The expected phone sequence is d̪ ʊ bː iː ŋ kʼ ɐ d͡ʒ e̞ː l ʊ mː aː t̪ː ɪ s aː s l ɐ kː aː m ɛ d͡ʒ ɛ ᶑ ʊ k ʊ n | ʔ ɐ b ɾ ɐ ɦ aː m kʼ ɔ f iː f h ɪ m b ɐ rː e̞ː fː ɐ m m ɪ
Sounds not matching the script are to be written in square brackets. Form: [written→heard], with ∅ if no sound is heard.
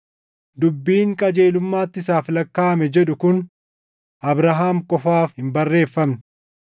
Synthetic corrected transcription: d̪ ʊ bː iː ŋ kʼ ɐ d͡ʒ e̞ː l ʊ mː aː t̪ː ɪ s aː [s→f] l ɐ kː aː m ɛ d͡ʒ ɛ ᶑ ʊ k ʊ n | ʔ ɐ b ɾ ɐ ɦ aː m kʼ ɔ f [iː→aː] f h ɪ m b ɐ rː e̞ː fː ɐ m [m→n] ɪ